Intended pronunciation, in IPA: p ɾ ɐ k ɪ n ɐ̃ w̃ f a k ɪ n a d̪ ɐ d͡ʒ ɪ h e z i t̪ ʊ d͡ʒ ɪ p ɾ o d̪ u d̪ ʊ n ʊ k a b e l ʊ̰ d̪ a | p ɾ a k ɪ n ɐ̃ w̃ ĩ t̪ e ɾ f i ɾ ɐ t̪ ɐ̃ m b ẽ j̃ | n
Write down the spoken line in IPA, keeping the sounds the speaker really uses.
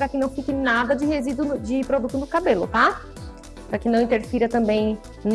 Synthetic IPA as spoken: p ɾ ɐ k ɪ n ɐ̃ w̃ f i k ɪ n a d̪ ɐ d͡ʒ ɪ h e z i d̪ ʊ d͡ʒ ɪ p ɾ o d̪ u t̪ ʊ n ʊ k a b e l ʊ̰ t̪ a | p ɾ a k ɪ n ɐ̃ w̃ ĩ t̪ e ɾ f i ɾ ɐ t̪ ɐ̃ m b ẽ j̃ | n

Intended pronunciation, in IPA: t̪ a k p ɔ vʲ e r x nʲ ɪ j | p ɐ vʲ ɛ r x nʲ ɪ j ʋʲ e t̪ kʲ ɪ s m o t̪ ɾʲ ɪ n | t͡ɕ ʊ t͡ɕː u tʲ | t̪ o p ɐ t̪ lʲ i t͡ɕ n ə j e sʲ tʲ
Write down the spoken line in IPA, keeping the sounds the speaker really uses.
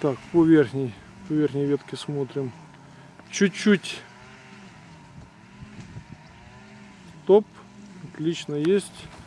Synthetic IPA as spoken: t̪ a k p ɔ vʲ e r x nʲ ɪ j | p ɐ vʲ e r x nʲ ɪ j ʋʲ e t̪ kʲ ɪ s m o t̪ ɾʲ ɪ m | t͡ɕ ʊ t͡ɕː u tʲ | t̪ o p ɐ t̪ lʲ i t͡ɕ n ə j e sʲ tʲ

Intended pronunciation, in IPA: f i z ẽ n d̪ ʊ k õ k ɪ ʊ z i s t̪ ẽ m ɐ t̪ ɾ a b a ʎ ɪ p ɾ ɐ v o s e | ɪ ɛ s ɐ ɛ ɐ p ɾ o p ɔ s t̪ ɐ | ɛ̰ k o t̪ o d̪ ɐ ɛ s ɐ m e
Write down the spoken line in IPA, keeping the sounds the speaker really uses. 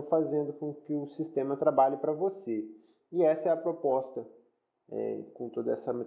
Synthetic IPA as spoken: f a z ẽ n d̪ ʊ k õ k ɪ ʊ s i s t̪ ẽ m ɐ t̪ ɾ a b a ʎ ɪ p ɾ ɐ v o s e | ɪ ɛ s ɐ ɛ ɐ p ɾ o p ɔ s t̪ ɐ | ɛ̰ k õ t̪ o d̪ ɐ ɛ s ɐ m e

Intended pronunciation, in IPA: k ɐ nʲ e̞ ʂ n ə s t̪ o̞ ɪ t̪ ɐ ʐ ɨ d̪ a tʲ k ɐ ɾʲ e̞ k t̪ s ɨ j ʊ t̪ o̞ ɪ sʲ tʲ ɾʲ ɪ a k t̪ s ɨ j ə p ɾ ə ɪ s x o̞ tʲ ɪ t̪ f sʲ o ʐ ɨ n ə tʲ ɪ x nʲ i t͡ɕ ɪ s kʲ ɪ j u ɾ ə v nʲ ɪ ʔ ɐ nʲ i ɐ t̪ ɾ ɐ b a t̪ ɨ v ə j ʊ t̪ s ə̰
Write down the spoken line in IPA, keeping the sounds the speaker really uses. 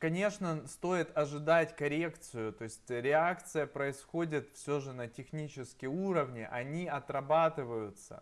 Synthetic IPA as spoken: k ɐ nʲ e̞ ʂ n ə s t̪ o̞ ɪ t̪ ɐ ʐ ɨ d̪ a tʲ k ɐ ɾʲ e̞ k t̪ s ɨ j ʊ t̪ o̞ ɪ sʲ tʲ ɾʲ ɪ a k t̪ s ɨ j ə p ɾ ə ɪ s x o̞ dʲ ɪ t̪ f sʲ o ʐ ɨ n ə tʲ ɪ x nʲ i t͡ɕ ɪ s kʲ ɪ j u ɾ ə v nʲ ɪ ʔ ɐ nʲ i ɐ t̪ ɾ ɐ b a t̪ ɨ v ə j ʊ t̪ s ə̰

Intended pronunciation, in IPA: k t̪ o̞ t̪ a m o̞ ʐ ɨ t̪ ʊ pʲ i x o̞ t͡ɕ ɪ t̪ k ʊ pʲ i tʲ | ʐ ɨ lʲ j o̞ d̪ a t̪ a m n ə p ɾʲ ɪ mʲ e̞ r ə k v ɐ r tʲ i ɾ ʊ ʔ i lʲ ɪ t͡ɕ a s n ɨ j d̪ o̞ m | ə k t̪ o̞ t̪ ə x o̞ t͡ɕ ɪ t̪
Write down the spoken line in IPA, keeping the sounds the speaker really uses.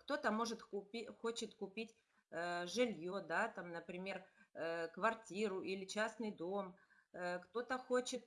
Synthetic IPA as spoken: k t̪ o̞ t̪ ə m o̞ ʐ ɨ t̪ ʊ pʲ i x o̞ t͡ɕ ɪ t̪ k ʊ pʲ i tʲ | ʐ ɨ lʲ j o̞ d̪ a t̪ a m n ə p ɾʲ ɪ mʲ e̞ r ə k v ɐ r tʲ i ɾ ʊ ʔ i lʲ ɪ t͡ɕ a s n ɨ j d̪ o̞ m | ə k t̪ o̞ t̪ ə x o̞ t͡ɕ ɪ t̪

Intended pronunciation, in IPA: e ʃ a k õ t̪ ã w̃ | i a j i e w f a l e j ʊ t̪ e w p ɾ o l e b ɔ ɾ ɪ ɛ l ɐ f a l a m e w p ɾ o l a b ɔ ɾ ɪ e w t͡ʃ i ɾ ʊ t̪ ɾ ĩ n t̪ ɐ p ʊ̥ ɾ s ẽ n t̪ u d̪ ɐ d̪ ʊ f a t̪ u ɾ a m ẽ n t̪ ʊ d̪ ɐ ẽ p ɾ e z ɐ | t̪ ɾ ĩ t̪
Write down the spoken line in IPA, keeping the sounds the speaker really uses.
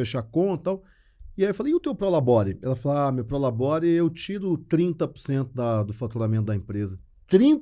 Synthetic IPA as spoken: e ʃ a k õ t̪ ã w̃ | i a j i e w f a l e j ʊ t̪ e w p ɾ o l a b ɔ ɾ ɪ ɛ l ɐ f a l a m e w p ɾ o l a b ɔ ɾ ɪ e w t͡ʃ i ɾ ʊ t̪ ɾ ĩ n t̪ ɐ p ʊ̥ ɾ s ẽ n t̪ ʊ d̪ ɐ d̪ ʊ f a t̪ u ɾ a m ẽ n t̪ ʊ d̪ ɐ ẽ p ɾ e z ɐ | t̪ ɾ ĩ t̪

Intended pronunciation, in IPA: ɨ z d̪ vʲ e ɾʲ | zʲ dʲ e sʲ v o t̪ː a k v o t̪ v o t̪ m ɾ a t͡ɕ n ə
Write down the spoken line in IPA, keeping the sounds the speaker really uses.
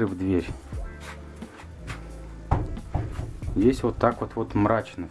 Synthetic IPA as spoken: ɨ v d̪ vʲ e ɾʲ | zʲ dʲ e sʲ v o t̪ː a k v o t̪ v o t̪ m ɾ a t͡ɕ n ə

